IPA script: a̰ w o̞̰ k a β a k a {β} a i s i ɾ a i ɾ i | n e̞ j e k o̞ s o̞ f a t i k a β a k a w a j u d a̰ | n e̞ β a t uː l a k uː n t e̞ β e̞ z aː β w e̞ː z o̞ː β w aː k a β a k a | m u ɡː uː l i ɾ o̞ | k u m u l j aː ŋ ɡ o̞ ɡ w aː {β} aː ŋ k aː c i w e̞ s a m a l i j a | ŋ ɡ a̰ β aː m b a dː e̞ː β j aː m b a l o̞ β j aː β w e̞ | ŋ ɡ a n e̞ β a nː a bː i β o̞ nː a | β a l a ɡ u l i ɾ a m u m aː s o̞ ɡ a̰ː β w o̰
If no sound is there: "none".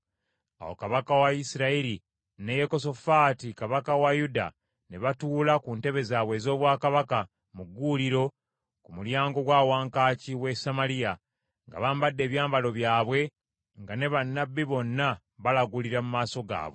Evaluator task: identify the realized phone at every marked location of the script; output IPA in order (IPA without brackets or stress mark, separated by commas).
w, w